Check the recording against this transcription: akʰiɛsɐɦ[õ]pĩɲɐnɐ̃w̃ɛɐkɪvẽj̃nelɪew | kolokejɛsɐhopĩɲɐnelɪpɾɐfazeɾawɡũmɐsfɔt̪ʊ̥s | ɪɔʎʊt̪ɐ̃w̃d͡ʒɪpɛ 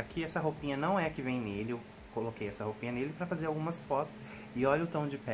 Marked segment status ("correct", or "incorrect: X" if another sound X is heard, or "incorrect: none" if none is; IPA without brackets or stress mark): incorrect: o